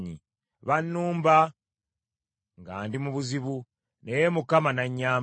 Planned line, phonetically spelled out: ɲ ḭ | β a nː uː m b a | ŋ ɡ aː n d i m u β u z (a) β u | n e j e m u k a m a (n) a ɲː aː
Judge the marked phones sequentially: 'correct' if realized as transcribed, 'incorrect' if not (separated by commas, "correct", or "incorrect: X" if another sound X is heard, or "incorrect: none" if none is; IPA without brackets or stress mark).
incorrect: i, correct